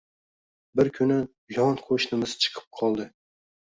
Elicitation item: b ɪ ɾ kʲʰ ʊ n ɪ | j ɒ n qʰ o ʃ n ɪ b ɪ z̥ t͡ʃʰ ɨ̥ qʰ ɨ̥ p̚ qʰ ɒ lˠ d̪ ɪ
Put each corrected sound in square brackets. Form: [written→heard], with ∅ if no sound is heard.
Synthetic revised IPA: b ɪ ɾ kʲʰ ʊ n ɪ | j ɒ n qʰ o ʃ n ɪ [b→m] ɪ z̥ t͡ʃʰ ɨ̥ qʰ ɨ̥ p̚ qʰ ɒ lˠ d̪ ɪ